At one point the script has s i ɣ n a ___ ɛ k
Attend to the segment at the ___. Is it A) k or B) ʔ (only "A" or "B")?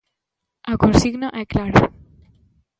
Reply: B